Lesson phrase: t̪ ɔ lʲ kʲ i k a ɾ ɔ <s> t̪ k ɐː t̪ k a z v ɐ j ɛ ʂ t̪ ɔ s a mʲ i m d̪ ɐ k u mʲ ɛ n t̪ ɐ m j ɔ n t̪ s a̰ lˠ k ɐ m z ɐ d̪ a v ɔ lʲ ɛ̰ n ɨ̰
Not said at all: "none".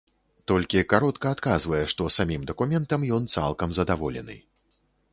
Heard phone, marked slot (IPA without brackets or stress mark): none